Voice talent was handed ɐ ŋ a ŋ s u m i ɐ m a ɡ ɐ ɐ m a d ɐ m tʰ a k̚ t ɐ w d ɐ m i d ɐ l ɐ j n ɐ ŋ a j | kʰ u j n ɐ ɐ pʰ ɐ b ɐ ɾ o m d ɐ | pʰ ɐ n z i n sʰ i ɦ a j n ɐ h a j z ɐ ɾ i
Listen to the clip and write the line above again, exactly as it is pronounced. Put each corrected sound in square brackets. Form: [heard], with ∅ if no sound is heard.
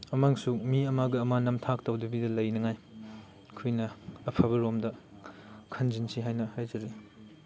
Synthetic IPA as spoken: ɐ [m] a ŋ s u m i ɐ m a ɡ ɐ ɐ m a [n] ɐ m tʰ a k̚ t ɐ w d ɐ [b] i d ɐ l ɐ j n ɐ ŋ a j | kʰ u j n ɐ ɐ pʰ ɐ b ɐ ɾ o m d ɐ | [kʰ] ɐ n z i n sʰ i ɦ a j n ɐ h a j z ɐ ɾ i